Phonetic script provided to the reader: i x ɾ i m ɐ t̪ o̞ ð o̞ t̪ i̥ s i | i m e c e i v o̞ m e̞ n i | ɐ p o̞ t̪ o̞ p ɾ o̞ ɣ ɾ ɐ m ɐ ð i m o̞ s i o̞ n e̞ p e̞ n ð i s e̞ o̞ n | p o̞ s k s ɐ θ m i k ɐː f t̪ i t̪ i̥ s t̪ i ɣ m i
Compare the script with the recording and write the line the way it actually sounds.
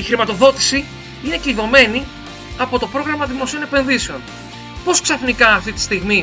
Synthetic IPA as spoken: i x ɾ i m ɐ t̪ o̞ ð o̞ t̪ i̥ s i | i n e c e i ð o̞ m e̞ n i | ɐ p o̞ t̪ o̞ p ɾ o̞ ɣ ɾ ɐ m ɐ ð i m o̞ s i o̞ n e̞ p e̞ n ð i s e̞ o̞ n | p o̞ s k s ɐ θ n i k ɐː f t̪ i t̪ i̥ s t̪ i ɣ m i